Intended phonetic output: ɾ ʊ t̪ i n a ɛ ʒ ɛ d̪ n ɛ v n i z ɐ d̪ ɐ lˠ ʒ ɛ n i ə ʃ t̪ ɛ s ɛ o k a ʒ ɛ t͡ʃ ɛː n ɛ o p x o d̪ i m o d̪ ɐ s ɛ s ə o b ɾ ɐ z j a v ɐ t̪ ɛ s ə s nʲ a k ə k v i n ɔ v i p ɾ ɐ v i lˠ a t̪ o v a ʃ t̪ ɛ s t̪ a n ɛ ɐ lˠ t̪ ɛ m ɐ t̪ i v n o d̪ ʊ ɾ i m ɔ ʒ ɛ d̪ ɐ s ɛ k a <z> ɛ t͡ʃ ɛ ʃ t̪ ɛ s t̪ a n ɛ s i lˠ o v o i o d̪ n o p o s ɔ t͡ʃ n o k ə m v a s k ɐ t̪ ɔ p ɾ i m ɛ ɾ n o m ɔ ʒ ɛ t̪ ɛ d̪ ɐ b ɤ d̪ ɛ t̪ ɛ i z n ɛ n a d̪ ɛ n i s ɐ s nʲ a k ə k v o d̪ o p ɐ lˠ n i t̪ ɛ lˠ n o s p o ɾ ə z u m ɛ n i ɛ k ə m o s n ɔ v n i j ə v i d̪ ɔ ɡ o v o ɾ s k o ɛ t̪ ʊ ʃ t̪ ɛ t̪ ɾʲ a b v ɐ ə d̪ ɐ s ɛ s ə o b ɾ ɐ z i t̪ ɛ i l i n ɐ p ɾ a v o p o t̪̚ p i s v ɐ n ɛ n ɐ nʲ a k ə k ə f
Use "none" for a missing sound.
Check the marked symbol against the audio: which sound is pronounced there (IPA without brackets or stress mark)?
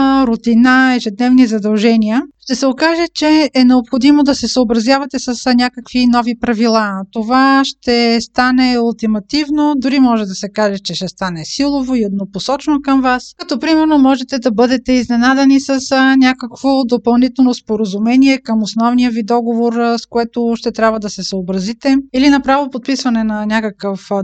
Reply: ʒ